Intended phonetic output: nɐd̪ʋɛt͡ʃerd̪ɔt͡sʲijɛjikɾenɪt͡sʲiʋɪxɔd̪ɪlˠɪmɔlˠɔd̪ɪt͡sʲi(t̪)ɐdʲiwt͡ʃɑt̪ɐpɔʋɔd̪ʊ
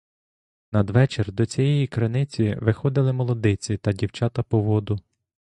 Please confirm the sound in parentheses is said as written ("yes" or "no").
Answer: yes